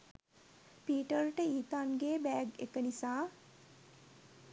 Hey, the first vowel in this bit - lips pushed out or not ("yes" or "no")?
no